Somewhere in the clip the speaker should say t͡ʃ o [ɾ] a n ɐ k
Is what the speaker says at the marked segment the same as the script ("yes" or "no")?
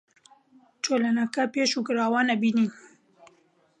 no